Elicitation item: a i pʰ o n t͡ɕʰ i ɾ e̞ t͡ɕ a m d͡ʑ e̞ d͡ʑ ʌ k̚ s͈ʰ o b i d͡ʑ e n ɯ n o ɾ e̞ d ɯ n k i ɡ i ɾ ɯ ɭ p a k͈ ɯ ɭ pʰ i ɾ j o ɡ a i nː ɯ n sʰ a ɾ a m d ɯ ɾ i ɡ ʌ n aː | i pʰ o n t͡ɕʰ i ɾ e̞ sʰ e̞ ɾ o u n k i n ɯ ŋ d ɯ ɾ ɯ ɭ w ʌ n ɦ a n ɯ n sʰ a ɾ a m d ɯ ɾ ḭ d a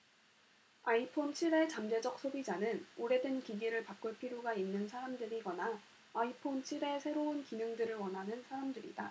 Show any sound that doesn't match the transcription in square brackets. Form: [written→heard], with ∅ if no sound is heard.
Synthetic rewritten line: a i pʰ o n t͡ɕʰ i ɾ e̞ t͡ɕ a m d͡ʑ e̞ d͡ʑ ʌ k̚ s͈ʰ o b i d͡ʑ [e→a] n ɯ n o ɾ e̞ d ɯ n k i ɡ i ɾ ɯ ɭ p a k͈ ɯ ɭ pʰ i ɾ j o ɡ a i nː ɯ n sʰ a ɾ a m d ɯ ɾ i ɡ ʌ n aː | i pʰ o n t͡ɕʰ i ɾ e̞ sʰ e̞ ɾ o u n k i n ɯ ŋ d ɯ ɾ ɯ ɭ w ʌ n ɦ a n ɯ n sʰ a ɾ a m d ɯ ɾ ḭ d a